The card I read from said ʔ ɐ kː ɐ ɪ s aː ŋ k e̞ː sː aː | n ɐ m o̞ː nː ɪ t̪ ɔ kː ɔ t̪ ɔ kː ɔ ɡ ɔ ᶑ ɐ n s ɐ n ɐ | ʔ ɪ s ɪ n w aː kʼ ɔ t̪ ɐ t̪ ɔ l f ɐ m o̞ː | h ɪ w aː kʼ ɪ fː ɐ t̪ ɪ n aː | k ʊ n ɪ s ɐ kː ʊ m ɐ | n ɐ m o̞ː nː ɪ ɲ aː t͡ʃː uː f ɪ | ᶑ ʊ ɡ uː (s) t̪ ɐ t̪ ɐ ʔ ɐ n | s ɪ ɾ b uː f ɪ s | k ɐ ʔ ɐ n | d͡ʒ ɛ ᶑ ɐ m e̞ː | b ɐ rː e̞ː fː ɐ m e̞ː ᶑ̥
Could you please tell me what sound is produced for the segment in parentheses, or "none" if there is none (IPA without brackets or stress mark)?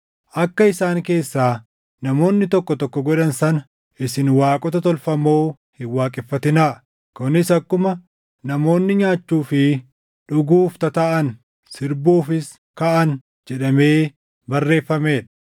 f